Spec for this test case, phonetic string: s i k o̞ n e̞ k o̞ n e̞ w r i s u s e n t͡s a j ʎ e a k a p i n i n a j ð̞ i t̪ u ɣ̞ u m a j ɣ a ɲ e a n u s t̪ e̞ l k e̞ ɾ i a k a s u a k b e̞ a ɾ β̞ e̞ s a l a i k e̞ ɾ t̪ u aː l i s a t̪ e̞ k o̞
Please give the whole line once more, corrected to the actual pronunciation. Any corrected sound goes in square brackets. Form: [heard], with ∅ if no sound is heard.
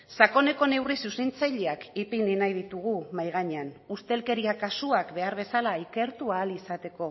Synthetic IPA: s [a] k o̞ n e̞ k o̞ n e̞ w r i s u s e n t͡s a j ʎ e a k [i] p i n i n a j ð̞ i t̪ u ɣ̞ u m a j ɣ a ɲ e a n u s t̪ e̞ l k e̞ ɾ i a k a s u a k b e̞ a ɾ β̞ e̞ s a l a i k e̞ ɾ t̪ u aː l i s a t̪ e̞ k o̞